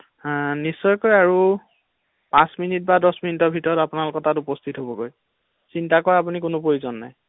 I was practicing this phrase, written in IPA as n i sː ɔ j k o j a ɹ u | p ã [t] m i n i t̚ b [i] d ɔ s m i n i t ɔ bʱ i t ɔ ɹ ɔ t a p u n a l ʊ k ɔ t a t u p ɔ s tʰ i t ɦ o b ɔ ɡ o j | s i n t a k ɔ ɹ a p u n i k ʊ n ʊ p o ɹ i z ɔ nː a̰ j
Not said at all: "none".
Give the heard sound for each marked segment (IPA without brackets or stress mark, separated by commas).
s, a